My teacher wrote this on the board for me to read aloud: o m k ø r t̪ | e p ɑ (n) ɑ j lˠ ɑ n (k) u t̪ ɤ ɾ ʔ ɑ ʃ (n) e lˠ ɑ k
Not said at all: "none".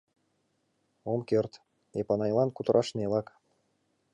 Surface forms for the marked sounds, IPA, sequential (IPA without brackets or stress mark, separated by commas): n, k, n